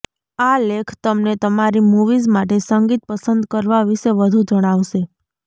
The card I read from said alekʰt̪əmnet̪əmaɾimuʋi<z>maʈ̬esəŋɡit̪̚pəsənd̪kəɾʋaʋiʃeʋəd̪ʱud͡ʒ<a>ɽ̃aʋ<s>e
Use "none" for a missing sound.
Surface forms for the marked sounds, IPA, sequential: z, ə, ʃ

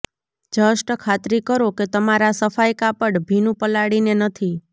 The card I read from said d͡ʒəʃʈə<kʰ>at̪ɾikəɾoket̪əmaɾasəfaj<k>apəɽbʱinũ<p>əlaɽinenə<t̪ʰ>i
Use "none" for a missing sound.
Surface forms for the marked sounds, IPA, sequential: kʰ, k, p, t̪ʰ

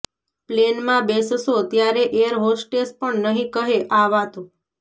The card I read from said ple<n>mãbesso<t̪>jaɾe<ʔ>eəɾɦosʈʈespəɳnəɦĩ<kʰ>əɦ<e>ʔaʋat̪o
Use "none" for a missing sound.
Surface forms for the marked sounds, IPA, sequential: n, t̪, ʔ, k, e

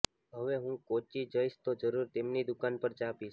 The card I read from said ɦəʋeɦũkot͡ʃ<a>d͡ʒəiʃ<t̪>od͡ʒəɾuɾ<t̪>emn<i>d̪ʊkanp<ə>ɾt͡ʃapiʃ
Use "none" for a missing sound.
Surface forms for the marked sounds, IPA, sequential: i, t̪, t̪, i, ə

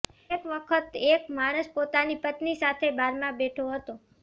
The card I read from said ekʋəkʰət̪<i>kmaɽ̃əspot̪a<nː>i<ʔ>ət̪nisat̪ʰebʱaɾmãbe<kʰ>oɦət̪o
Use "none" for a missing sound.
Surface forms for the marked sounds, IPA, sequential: e, n, p, ʈʰ

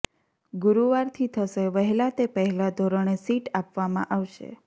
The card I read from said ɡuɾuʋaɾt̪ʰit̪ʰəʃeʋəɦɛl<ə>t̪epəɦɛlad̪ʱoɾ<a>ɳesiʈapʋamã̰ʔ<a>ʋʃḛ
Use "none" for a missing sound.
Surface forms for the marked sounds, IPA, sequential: a, ə, a

